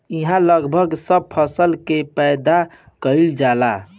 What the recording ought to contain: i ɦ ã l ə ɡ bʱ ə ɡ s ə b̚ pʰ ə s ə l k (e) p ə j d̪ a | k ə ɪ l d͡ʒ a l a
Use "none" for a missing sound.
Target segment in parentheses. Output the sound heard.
e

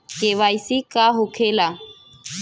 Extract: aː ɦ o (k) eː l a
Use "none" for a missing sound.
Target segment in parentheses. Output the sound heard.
kʰ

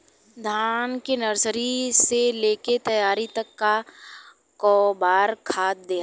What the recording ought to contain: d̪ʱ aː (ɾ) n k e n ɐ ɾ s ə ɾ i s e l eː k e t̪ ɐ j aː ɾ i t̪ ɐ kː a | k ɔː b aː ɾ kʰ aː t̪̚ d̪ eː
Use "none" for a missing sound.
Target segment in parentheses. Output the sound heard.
none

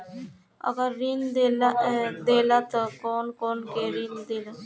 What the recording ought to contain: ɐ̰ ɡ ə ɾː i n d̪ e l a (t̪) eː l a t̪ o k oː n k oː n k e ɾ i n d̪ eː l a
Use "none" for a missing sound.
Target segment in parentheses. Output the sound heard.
d̪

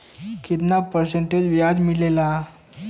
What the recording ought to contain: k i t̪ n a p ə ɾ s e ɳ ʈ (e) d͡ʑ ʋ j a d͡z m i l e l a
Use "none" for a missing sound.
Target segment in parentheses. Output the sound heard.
e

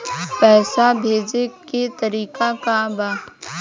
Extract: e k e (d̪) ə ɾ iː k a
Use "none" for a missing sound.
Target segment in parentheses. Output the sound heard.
t̪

